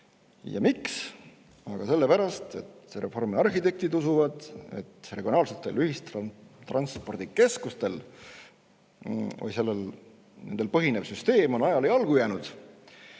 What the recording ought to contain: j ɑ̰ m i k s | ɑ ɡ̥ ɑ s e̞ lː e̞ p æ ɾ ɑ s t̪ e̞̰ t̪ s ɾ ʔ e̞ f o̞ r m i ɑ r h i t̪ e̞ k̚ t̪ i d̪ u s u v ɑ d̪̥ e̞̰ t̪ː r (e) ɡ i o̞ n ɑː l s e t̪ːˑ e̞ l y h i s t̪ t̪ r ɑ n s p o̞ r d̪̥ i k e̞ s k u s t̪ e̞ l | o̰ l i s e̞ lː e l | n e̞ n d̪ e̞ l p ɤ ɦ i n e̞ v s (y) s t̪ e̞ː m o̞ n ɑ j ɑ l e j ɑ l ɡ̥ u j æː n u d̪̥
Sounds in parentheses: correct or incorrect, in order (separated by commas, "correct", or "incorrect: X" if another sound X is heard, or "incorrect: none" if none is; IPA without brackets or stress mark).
correct, correct